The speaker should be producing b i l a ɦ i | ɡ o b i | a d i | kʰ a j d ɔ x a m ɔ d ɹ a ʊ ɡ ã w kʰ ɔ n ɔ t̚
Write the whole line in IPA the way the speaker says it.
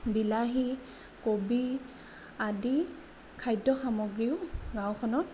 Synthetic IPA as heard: b i l a ɦ i | k o b i | a d i | kʰ a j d ɔ x a m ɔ ɡ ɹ i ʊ ɡ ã w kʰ ɔ n ɔ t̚